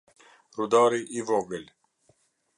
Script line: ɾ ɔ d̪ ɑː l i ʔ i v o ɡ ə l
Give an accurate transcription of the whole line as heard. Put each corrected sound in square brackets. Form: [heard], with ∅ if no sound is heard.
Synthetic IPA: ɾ [u] d̪ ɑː [ɾ] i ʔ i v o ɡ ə l